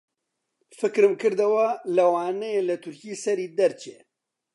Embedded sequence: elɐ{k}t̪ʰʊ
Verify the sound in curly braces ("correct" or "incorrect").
incorrect